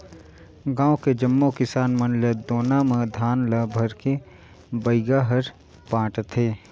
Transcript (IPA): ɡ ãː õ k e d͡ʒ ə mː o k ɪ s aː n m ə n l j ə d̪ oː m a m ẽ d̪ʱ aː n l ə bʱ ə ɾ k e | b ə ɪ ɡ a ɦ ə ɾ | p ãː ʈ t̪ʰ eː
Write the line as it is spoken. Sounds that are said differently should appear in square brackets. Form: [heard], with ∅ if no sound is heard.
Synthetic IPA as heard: ɡ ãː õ k e d͡ʒ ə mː o k ɪ s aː n m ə n l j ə d̪ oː [n] a m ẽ d̪ʱ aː n l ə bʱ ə ɾ k e | b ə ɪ ɡ a ɦ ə ɾ | p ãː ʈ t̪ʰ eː